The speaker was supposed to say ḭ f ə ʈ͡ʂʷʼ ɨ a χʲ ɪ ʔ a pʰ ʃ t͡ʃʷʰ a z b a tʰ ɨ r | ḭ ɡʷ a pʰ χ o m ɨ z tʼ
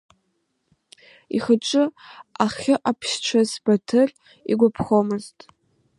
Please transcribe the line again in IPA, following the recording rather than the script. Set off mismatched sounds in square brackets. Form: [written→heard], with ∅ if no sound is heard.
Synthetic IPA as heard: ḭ [f→χ] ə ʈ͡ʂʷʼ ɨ a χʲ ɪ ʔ a pʰ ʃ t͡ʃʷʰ a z b a tʰ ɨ r | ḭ ɡʷ a pʰ χ o m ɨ z tʼ

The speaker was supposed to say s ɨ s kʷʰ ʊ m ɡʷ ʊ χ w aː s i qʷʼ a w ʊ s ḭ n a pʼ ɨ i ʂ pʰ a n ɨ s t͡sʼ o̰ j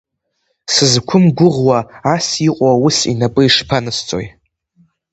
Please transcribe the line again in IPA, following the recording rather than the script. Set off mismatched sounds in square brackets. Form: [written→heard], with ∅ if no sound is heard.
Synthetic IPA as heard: s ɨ [s→z] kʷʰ ʊ m ɡʷ ʊ [χ→ʁ] w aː s i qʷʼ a w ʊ s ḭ n a pʼ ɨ i ʂ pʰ a n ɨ s t͡sʼ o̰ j

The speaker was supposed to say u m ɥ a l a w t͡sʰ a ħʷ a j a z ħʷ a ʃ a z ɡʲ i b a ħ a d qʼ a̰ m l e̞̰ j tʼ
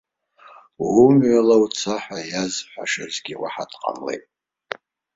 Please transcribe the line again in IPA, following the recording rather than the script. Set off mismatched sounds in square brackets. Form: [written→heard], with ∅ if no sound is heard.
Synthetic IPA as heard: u m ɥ a l a w t͡sʰ a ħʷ a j a z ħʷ a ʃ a z ɡʲ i [b→w] a ħ a d qʼ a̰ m l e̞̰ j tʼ

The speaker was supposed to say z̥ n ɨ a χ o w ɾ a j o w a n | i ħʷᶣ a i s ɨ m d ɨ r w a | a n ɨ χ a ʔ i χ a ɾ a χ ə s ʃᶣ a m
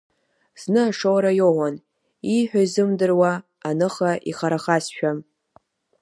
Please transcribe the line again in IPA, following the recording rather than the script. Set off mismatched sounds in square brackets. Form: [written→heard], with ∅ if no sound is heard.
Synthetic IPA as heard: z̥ n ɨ a [χ→ʂ] o w ɾ a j o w a n | i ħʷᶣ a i [s→z] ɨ m d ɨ r w a | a n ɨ χ a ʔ i χ a ɾ a χ [ə→a] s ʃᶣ a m

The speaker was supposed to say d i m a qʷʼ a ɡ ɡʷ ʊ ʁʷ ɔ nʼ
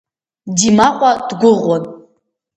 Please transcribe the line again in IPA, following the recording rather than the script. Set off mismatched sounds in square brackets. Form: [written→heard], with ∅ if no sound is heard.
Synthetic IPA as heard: d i m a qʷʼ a [ɡ→d] ɡʷ ʊ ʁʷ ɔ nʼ

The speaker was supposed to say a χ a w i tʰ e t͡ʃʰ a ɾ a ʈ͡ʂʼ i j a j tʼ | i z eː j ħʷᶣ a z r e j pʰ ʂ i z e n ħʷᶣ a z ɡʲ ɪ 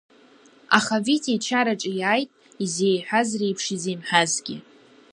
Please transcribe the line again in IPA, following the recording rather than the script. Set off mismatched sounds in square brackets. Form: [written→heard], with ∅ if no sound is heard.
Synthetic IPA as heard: a χ a [w→v] i tʰ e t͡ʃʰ a ɾ a ʈ͡ʂʼ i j a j tʼ | i z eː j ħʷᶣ a z r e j pʰ ʂ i z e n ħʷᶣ a z ɡʲ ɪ

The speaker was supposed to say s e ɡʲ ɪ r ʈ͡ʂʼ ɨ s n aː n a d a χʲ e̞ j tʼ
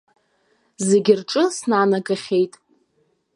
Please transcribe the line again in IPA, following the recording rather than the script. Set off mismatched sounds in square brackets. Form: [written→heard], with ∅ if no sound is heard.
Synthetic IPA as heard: [s→z] e ɡʲ ɪ r ʈ͡ʂʼ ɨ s n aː n a [d→ɡ] a χʲ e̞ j tʼ

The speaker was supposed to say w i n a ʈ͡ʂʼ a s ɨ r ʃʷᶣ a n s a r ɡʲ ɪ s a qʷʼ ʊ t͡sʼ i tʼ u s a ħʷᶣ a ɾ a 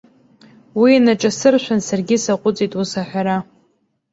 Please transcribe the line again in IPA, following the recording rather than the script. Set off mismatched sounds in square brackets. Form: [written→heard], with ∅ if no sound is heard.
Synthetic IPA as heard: w i n a ʈ͡ʂʼ a s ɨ r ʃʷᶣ a n s a r ɡʲ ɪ s a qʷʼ ʊ t͡sʼ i tʼ u s a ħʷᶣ a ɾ a

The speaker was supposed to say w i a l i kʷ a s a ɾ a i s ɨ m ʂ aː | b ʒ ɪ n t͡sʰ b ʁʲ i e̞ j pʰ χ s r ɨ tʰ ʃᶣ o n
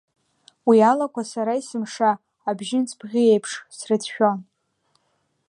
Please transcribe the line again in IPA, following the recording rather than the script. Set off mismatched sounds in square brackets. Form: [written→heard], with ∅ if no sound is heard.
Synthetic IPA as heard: w i a l [i→a] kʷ a s a ɾ a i s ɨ m ʂ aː | b ʒ ɪ n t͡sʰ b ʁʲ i e̞ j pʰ [χ→ʂ] s r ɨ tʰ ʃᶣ o n

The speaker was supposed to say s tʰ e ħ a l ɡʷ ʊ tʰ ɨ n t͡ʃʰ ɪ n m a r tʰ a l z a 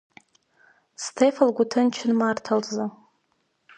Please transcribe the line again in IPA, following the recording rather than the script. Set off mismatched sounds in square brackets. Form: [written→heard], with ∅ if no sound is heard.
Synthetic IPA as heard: s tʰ e [ħ→f] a l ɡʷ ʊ tʰ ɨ n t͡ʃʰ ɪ n m a r tʰ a l z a

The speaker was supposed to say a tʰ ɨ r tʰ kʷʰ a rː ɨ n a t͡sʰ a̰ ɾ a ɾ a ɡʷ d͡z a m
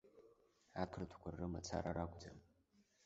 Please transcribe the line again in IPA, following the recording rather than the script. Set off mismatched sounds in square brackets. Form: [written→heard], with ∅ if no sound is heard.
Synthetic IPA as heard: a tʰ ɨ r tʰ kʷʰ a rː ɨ [n→m] a t͡sʰ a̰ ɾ a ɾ a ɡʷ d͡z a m

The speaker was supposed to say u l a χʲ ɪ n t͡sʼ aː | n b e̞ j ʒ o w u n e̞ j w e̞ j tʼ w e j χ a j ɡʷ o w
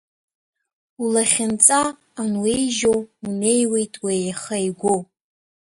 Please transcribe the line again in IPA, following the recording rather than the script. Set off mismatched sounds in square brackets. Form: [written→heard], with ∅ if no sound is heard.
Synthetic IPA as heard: u l a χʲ ɪ n t͡sʼ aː | n [b→w] e̞ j ʒ o w u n e̞ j w e̞ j tʼ w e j χ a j ɡʷ o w

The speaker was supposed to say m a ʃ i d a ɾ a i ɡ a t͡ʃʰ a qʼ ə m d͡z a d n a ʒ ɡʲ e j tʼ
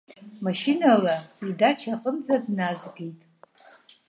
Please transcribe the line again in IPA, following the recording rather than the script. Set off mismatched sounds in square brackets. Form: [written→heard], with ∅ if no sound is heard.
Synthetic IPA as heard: m a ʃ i [d→n] a [ɾ→l] a i [ɡ→d] a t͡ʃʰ a qʼ ə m d͡z a d n a [ʒ→z] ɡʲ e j tʼ

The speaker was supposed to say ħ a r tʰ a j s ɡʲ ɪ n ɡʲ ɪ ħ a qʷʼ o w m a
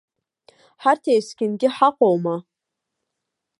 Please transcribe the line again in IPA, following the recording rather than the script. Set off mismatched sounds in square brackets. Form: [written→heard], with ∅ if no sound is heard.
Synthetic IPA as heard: ħ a r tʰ [a→e] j s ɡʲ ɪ n ɡʲ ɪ ħ a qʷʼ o w m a

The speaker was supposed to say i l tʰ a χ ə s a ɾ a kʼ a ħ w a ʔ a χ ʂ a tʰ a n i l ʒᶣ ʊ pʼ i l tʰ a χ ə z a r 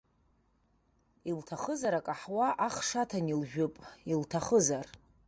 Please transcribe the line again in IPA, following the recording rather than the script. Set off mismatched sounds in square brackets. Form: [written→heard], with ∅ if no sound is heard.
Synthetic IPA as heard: i l tʰ a χ ə [s→z] a ɾ a kʼ a ħ w a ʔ a χ ʂ a tʰ a n i l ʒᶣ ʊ pʼ i l tʰ a χ ə z a r

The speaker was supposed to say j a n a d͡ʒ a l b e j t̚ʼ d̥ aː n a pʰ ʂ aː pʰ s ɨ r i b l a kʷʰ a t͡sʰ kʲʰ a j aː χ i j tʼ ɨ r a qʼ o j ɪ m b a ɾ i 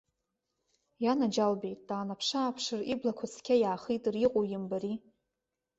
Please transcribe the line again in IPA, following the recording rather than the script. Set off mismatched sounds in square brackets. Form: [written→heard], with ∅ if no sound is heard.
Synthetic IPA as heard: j a n a d͡ʒ a l b e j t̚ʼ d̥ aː n a pʰ ʂ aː pʰ [s→ʂ] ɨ r i b l a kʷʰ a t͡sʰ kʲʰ a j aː χ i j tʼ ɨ r [a→i] qʼ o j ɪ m b a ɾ i

